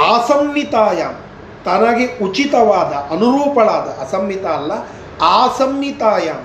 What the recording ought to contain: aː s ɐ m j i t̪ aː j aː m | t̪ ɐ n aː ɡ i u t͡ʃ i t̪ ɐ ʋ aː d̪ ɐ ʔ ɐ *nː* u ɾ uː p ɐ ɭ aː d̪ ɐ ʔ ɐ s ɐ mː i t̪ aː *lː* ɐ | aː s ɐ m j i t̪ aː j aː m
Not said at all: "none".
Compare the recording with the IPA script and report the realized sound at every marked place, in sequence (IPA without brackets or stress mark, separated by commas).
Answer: n, lː